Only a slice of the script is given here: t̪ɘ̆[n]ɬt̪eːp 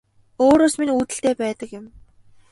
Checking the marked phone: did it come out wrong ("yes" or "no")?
yes